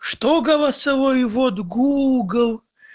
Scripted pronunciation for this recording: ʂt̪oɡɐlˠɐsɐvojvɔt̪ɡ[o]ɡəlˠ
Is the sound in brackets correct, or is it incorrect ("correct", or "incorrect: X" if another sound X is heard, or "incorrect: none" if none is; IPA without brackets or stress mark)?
incorrect: u